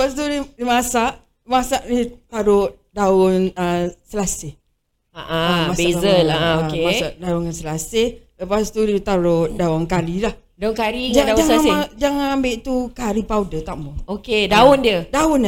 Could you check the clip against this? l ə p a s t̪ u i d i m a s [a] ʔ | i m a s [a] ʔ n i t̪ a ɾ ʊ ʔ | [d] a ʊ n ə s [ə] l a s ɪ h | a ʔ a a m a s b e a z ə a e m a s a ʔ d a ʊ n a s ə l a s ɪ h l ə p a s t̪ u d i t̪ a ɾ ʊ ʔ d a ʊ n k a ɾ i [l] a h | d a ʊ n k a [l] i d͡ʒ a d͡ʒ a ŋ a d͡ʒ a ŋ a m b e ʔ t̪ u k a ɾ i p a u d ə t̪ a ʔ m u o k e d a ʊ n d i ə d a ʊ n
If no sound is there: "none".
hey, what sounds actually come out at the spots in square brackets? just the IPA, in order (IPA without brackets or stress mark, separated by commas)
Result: a, a, d, ə, l, ɾ